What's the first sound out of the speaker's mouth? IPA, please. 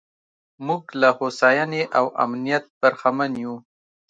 m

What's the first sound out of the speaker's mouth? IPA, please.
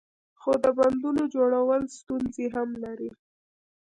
x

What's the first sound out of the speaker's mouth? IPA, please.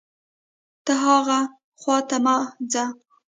t̪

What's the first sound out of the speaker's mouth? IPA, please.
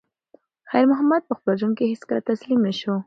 x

